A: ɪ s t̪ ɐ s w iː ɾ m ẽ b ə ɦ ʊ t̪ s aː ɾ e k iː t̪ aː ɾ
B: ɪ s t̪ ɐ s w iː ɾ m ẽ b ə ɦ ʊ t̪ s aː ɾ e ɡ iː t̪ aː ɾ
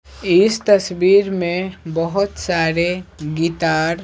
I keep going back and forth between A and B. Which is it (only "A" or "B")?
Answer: B